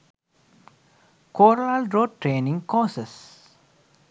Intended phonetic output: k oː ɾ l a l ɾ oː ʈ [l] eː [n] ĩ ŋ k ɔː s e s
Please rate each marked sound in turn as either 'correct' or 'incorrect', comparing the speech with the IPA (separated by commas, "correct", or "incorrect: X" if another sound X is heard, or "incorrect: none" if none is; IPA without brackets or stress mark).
incorrect: ɾ, correct